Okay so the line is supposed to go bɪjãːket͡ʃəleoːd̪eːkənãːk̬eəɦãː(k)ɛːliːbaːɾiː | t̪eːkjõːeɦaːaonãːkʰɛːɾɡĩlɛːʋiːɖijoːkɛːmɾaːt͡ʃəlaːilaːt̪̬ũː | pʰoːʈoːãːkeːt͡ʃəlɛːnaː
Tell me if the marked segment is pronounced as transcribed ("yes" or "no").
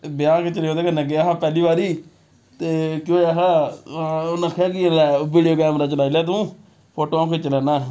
no